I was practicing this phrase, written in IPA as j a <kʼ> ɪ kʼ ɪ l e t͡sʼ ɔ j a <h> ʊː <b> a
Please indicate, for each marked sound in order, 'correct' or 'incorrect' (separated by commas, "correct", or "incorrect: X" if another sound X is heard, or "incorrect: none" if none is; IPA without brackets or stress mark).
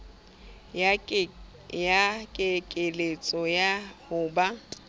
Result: correct, correct, correct